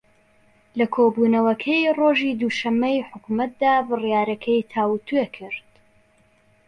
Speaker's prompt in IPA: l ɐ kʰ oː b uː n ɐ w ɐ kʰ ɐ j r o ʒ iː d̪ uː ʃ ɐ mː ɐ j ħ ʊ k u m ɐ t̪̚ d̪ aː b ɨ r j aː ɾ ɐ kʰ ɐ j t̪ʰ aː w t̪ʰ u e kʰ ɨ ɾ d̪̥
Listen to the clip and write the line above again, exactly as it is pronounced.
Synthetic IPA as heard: l ɐ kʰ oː b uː n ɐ w ɐ kʰ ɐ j r o ʒ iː d̪ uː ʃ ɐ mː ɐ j ħ ʊ k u m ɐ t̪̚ d̪ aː b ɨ r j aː ɾ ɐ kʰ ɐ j t̪ʰ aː w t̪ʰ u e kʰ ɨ ɾ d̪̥